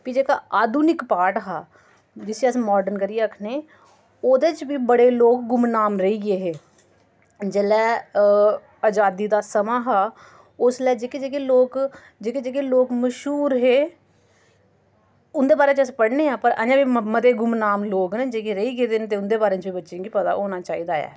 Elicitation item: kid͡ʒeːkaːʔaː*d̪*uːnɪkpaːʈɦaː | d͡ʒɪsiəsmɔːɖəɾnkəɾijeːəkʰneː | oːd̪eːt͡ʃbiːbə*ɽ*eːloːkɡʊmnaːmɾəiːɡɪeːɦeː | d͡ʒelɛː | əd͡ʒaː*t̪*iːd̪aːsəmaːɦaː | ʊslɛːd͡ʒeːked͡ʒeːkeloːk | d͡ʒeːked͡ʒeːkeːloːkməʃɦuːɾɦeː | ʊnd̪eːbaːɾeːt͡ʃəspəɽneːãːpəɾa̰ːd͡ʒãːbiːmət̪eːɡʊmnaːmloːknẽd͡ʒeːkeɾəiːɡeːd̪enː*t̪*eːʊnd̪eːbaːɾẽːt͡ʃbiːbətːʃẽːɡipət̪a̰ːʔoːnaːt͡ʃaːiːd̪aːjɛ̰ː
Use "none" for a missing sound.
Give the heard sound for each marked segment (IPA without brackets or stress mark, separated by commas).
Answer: d̪, ɽ, d̪, t̪